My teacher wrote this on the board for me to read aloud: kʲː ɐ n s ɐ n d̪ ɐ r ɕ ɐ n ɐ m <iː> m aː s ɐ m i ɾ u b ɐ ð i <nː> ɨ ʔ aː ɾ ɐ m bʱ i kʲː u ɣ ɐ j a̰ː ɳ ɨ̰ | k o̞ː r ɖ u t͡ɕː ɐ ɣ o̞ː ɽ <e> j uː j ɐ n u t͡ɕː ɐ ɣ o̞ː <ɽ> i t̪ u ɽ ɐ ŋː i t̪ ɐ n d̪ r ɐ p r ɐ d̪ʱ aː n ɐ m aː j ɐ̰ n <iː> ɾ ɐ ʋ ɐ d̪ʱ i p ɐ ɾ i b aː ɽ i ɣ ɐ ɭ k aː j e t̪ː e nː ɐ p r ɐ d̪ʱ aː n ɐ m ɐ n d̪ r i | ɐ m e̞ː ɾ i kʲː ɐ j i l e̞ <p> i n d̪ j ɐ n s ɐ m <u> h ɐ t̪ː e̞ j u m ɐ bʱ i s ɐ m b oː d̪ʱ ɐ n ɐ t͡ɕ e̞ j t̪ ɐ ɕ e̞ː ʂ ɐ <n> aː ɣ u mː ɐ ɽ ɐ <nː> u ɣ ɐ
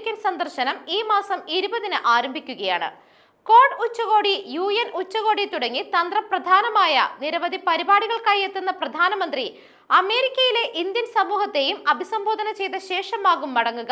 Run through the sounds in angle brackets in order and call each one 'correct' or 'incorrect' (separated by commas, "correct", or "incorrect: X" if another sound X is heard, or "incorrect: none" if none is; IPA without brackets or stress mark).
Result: correct, incorrect: n, incorrect: i, correct, incorrect: i, incorrect: ʔ, incorrect: uː, incorrect: m, incorrect: ŋː